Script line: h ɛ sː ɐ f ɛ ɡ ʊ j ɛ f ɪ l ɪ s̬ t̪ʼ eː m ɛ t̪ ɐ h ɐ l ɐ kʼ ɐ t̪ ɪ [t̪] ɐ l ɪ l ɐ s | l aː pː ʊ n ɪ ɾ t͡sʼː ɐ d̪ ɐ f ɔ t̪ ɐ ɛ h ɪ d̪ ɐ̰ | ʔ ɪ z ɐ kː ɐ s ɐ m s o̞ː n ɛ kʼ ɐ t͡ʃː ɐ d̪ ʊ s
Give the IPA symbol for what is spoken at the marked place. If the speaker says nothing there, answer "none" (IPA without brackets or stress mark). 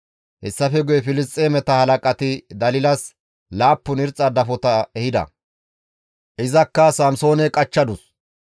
d̪